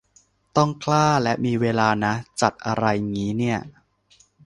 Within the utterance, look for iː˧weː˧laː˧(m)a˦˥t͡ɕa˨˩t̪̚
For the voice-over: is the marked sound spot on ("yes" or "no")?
no